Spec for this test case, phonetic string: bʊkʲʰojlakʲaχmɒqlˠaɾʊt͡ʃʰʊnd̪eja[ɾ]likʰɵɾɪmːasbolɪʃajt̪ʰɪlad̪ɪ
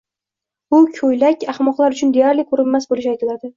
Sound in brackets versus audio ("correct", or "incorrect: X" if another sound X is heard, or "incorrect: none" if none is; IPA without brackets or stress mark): correct